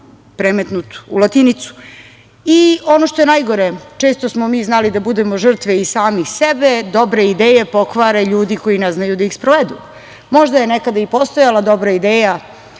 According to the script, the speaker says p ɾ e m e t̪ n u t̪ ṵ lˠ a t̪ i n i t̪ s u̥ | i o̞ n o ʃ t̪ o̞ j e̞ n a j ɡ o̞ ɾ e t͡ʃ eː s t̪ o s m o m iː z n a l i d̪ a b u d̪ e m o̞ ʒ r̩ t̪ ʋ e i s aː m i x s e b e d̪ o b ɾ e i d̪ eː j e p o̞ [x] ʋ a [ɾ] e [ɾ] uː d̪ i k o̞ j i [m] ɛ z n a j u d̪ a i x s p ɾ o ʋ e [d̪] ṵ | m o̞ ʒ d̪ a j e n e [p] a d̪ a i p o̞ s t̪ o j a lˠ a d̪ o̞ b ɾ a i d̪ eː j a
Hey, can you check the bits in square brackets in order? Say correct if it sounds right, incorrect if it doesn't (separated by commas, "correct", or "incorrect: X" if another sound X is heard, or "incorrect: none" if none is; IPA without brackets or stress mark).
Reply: incorrect: k, correct, incorrect: ʎ, incorrect: n, correct, incorrect: k